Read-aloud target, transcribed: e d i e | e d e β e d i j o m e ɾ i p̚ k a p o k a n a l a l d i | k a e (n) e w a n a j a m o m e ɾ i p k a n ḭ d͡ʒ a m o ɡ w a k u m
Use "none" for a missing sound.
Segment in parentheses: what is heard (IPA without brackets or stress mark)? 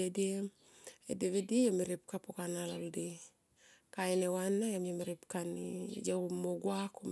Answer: n